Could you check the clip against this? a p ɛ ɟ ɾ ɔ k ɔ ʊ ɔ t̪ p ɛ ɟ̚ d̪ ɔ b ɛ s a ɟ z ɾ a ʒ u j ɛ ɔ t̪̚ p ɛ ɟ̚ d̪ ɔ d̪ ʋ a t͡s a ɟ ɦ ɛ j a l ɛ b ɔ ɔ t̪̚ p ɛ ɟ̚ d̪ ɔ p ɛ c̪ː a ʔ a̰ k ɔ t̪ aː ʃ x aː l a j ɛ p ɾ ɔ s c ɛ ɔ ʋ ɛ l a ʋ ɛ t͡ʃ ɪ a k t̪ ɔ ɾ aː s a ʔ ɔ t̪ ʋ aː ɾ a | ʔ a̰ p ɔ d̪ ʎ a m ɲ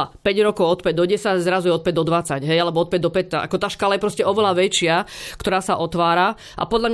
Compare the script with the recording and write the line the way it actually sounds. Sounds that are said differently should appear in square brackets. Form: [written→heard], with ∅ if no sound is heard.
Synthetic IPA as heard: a p ɛ ɟ ɾ ɔ k ɔ ʊ ɔ t̪ p ɛ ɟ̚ d̪ ɔ [b→ɟ] ɛ s a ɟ z ɾ a [ʒ→z] u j ɛ ɔ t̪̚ p ɛ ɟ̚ d̪ ɔ d̪ ʋ a t͡s a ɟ ɦ ɛ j a l ɛ b ɔ ɔ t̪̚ p ɛ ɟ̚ d̪ ɔ p ɛ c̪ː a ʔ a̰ k ɔ t̪ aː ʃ [x→k] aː l a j ɛ p ɾ ɔ s c ɛ ɔ ʋ ɛ l a ʋ ɛ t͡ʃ ɪ a k t̪ ɔ ɾ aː s a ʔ ɔ t̪ ʋ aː ɾ a | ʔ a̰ p ɔ d̪ ʎ a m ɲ